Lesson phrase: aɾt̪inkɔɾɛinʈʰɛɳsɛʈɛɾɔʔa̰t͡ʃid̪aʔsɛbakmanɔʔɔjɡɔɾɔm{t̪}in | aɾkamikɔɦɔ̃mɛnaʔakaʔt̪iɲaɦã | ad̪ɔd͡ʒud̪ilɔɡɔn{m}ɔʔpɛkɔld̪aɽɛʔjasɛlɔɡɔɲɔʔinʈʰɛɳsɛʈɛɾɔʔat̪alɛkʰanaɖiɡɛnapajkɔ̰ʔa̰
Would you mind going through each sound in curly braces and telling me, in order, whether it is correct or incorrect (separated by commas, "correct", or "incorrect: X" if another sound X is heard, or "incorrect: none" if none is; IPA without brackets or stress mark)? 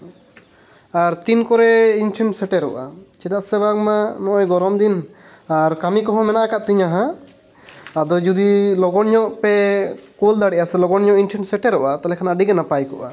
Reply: incorrect: d̪, incorrect: ɲ